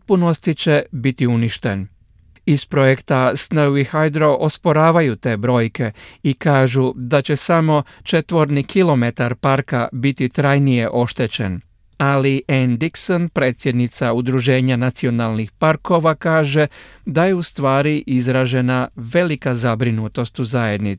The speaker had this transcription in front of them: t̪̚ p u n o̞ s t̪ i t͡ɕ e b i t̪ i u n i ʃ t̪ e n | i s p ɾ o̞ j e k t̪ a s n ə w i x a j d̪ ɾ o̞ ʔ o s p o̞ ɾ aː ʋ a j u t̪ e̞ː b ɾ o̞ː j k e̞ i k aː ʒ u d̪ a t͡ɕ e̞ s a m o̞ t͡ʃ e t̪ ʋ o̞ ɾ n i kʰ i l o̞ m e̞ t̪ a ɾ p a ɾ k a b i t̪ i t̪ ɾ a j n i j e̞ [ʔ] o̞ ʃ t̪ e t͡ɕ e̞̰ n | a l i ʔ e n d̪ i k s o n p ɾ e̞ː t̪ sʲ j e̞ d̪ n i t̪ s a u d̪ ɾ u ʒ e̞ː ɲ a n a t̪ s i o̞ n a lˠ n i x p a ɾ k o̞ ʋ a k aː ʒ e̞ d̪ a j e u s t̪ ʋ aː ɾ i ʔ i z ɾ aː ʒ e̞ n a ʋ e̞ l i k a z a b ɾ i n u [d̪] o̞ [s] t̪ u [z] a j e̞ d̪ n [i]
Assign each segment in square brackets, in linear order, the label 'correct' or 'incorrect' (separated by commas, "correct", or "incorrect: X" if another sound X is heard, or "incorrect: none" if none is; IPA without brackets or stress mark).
correct, incorrect: t̪, correct, correct, correct